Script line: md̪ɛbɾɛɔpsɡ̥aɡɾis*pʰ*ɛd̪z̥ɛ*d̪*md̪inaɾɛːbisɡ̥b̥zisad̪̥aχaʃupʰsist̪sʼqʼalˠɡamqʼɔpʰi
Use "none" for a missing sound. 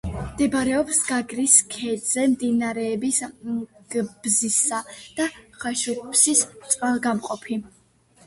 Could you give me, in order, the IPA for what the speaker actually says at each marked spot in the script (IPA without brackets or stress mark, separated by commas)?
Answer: kʰ, none